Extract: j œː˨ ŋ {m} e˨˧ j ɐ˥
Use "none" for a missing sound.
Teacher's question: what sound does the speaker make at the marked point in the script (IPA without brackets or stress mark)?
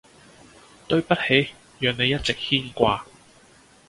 n